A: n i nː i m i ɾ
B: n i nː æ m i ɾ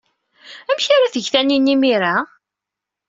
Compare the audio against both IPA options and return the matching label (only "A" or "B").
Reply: A